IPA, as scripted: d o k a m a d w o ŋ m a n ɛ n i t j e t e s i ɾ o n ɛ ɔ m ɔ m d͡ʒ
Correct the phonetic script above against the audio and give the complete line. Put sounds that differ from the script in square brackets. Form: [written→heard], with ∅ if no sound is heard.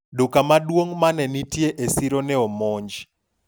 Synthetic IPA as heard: d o k a m a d w o ŋ m a n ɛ n i t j e [t→ʔ] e s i ɾ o n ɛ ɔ m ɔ [m→ɲ] d͡ʒ